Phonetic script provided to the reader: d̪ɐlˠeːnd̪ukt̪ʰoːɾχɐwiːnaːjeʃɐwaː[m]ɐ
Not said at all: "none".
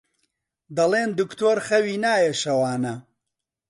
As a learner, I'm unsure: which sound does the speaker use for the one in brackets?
n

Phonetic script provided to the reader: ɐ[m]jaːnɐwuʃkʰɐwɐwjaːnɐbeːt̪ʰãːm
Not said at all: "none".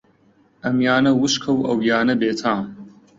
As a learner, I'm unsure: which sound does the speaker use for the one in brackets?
m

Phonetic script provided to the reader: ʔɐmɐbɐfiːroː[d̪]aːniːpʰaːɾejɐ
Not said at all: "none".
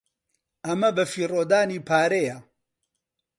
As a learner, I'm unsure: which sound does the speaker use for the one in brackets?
d̪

